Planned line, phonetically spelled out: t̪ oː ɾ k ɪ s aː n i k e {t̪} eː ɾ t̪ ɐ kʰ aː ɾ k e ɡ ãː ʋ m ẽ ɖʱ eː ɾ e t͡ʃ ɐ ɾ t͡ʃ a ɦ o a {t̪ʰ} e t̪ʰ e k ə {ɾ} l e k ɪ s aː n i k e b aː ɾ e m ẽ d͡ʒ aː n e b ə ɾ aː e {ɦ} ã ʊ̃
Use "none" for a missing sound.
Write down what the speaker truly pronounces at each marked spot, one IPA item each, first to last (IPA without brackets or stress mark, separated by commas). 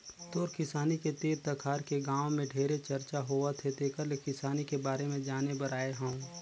t̪, t̪ʰ, ɾ, ɦ